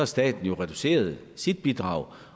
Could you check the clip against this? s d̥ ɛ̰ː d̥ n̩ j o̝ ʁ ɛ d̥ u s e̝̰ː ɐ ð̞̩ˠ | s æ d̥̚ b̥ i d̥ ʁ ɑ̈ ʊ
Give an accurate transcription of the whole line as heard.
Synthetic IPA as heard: s d̥ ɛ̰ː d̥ n̩ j o̝ ʁ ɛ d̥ u s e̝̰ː ɐ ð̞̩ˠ | s i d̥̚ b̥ i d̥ ʁ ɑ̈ ʊ